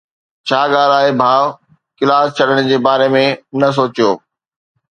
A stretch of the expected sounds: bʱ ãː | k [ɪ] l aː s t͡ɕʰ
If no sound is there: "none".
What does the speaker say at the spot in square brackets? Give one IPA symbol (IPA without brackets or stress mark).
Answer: ɪ